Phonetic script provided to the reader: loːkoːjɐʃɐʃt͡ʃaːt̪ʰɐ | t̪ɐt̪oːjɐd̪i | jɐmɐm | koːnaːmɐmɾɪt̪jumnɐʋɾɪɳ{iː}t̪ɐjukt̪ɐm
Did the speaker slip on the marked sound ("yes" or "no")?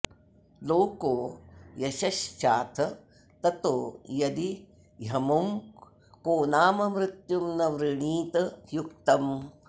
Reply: no